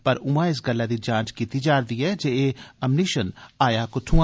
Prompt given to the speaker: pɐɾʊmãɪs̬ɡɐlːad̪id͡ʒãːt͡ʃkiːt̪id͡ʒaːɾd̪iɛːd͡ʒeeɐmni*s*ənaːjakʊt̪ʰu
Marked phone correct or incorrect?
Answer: incorrect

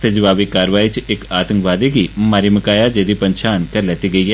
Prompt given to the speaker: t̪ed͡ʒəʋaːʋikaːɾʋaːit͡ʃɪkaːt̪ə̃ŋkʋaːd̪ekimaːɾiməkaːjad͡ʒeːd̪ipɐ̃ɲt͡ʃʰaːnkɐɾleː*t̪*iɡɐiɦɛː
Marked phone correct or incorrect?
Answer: correct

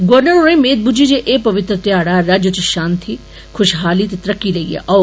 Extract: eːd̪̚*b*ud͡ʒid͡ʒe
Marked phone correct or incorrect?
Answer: correct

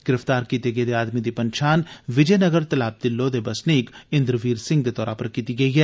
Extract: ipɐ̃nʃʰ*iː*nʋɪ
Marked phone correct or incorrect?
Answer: incorrect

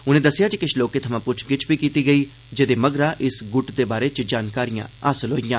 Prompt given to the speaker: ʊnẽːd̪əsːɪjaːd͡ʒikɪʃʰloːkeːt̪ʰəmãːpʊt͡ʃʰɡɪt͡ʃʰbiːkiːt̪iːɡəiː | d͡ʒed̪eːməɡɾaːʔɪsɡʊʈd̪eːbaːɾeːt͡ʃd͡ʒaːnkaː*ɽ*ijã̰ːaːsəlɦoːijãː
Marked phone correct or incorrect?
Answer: incorrect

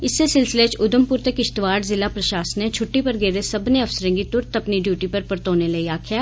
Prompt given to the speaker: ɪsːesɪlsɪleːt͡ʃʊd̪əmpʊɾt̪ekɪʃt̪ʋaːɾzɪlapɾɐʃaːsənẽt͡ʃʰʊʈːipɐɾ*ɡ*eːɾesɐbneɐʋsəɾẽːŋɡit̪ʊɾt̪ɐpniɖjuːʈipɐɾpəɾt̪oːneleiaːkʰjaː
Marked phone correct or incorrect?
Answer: correct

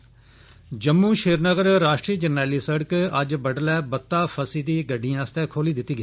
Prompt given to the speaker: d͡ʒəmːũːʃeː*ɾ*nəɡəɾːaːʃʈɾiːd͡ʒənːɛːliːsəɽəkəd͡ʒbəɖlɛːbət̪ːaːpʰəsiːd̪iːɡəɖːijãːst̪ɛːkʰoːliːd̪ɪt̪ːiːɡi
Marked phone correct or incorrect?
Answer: correct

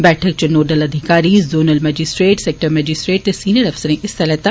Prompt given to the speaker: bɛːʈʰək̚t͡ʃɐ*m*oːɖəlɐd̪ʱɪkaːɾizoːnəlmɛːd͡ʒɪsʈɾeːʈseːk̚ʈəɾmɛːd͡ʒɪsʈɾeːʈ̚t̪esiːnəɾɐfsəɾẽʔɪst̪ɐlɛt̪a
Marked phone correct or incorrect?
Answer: incorrect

